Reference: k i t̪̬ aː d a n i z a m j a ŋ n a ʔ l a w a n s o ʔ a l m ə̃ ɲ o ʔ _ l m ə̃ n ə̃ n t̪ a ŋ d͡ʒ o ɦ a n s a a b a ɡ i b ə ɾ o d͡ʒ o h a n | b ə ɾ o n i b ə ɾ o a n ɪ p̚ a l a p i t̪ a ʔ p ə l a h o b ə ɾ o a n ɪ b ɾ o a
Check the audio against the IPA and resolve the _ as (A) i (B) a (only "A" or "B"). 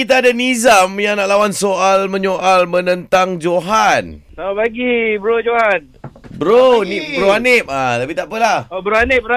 B